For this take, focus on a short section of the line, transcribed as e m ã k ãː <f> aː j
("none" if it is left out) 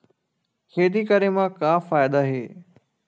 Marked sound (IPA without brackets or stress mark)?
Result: f